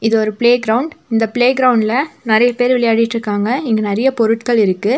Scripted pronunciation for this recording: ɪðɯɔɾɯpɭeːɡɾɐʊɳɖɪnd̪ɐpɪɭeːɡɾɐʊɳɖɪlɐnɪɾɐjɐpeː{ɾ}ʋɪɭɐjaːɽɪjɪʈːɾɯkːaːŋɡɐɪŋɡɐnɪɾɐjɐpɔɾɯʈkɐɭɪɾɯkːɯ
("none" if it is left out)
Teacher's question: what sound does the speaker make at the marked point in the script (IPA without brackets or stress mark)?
ɾ